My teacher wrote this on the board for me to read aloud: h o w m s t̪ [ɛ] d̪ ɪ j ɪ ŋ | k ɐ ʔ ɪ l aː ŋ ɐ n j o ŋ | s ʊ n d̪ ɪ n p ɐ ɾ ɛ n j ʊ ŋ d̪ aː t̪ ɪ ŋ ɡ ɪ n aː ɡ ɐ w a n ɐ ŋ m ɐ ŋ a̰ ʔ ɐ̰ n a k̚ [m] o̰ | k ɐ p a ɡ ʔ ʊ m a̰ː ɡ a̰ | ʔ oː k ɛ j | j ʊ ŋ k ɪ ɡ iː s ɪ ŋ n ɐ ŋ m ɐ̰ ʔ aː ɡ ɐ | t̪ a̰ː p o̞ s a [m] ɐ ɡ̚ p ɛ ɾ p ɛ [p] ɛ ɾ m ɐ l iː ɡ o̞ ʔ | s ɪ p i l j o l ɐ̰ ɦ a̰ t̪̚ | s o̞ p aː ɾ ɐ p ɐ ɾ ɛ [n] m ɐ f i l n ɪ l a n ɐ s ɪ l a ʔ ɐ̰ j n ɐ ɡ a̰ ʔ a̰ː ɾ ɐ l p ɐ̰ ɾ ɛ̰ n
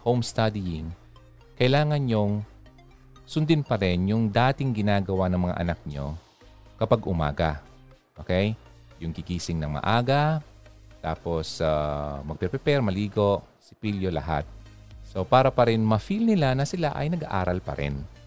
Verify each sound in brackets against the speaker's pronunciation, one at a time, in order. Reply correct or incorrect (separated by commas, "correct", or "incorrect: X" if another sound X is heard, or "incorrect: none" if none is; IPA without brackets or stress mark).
incorrect: a, incorrect: ɲ, correct, correct, correct